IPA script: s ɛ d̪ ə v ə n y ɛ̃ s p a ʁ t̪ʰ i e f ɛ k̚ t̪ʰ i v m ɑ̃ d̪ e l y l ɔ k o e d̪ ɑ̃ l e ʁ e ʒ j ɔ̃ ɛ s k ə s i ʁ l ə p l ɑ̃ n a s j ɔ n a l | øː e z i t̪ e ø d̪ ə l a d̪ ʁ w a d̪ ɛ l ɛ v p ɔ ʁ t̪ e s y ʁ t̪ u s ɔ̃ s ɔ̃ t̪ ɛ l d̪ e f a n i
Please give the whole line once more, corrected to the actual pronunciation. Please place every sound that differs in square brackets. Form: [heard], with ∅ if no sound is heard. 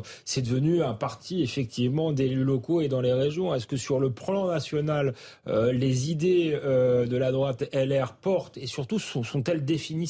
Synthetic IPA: s ɛ d̪ ə v ə n y ɛ̃ [∅] p a ʁ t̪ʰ i e f ɛ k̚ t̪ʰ i v m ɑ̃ d̪ e l y l ɔ k o e d̪ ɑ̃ l e ʁ e ʒ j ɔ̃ ɛ s k ə s [y] ʁ l ə p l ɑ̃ n a s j ɔ n a l | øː e z i [d̪] e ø d̪ ə l a d̪ ʁ w a [t̪] ɛ l ɛ [ʁ] p ɔ ʁ t̪ e s y ʁ t̪ u s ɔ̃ s ɔ̃ t̪ ɛ l d̪ e f [i] n i